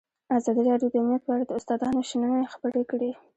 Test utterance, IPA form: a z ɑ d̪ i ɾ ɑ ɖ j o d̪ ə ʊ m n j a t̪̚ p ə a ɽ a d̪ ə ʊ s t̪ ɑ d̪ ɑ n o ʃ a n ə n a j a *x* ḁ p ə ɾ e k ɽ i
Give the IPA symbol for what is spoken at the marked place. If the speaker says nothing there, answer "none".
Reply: x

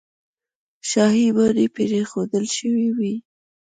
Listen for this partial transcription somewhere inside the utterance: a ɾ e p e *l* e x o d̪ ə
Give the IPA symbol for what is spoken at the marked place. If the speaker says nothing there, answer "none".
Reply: ɾ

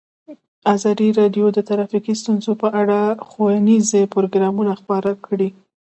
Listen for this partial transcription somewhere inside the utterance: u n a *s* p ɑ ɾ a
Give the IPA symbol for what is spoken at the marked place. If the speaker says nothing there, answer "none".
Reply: x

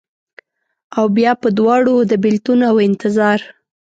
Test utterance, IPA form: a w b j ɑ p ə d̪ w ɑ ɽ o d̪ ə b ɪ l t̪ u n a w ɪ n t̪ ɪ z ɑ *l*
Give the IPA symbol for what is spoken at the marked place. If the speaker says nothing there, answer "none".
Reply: ɾ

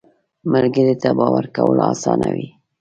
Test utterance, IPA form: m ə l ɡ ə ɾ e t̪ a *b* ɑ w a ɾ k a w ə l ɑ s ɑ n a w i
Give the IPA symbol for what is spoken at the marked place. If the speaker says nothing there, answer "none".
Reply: b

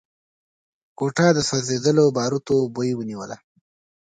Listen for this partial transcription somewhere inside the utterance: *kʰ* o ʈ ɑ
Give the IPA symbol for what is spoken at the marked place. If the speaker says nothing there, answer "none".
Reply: k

